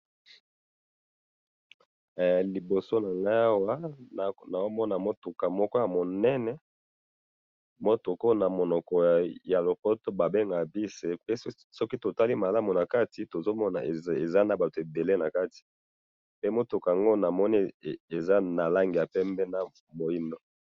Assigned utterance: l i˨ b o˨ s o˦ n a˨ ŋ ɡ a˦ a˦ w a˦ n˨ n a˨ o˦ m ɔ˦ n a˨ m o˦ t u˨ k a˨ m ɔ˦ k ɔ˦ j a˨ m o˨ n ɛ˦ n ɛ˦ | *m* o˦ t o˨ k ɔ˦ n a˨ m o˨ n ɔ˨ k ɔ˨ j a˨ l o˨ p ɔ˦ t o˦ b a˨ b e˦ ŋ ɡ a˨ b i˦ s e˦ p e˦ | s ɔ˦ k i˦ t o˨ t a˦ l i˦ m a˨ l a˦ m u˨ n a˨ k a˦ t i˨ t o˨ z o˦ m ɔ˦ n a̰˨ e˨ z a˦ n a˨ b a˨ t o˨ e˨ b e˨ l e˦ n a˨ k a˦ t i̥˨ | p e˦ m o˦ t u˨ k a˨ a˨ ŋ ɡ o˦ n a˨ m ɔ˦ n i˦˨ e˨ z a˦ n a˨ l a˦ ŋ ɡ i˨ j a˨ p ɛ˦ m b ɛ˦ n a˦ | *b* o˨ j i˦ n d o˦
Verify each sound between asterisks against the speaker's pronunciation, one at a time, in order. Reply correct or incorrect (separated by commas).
correct, incorrect